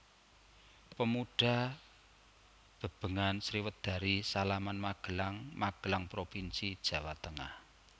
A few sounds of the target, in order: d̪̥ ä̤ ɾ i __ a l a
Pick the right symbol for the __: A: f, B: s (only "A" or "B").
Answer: B